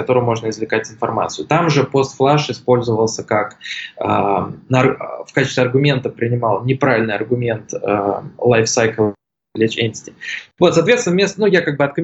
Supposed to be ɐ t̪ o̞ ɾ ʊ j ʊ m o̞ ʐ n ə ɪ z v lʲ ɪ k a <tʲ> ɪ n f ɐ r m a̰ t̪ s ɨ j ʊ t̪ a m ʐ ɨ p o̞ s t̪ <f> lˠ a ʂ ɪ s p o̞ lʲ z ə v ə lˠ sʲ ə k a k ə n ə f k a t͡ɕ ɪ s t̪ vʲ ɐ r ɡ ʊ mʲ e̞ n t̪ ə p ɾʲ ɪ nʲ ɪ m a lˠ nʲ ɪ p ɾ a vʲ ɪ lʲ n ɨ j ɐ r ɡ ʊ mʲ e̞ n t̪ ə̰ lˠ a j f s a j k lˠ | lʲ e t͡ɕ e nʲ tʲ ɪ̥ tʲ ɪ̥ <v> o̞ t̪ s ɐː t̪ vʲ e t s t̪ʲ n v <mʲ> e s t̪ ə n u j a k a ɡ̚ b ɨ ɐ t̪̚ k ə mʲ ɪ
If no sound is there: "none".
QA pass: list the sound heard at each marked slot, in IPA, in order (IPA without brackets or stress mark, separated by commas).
tʲ, f, v, mʲ